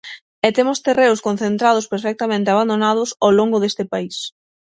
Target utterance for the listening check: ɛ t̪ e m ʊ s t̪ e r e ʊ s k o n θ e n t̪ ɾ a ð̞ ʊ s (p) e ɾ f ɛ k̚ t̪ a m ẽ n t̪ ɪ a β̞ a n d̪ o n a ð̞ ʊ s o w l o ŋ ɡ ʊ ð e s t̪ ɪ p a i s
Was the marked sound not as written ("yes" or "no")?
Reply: no